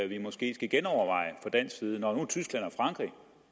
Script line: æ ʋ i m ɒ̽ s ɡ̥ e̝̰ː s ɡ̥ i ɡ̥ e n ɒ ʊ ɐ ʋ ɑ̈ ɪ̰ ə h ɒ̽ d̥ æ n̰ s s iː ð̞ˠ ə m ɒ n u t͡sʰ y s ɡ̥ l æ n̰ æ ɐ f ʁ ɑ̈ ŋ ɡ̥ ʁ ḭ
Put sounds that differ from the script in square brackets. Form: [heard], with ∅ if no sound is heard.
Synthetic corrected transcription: æ ʋ i m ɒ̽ s ɡ̥ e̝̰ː s ɡ̥ [æ] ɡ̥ e n ɒ ʊ ɐ ʋ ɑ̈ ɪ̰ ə [f] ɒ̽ d̥ æ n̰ s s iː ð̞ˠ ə [n] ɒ n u t͡sʰ y s ɡ̥ l æ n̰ æ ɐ f ʁ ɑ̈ ŋ ɡ̥ ʁ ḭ